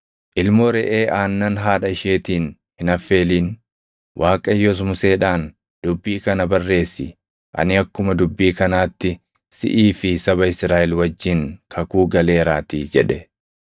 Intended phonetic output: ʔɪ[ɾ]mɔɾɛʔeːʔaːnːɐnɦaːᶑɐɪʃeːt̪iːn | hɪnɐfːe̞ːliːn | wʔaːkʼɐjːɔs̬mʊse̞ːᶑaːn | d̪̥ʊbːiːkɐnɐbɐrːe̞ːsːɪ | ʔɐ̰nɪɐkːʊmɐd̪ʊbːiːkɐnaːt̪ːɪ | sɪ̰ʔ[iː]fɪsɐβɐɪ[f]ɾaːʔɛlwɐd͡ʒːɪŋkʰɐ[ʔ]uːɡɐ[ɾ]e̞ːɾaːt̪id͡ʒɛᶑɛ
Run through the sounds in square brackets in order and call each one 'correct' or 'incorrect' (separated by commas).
incorrect, correct, incorrect, incorrect, incorrect